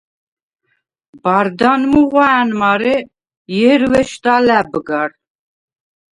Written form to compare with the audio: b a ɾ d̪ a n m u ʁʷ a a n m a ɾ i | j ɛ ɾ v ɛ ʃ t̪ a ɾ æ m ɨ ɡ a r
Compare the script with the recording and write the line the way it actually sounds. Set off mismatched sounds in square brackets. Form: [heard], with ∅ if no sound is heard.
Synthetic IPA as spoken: b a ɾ d̪ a n m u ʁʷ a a n m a ɾ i | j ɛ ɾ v ɛ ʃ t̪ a [l] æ [b] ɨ ɡ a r